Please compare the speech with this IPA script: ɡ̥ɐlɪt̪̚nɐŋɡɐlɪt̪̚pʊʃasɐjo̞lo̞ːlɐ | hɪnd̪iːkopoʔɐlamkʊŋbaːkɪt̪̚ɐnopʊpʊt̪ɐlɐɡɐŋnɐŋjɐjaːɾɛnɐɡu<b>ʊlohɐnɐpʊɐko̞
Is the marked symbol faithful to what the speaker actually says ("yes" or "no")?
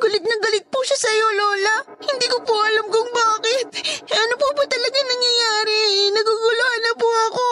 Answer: no